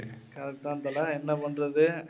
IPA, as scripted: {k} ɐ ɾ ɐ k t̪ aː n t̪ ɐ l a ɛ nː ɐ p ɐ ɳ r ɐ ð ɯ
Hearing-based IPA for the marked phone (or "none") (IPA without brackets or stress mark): k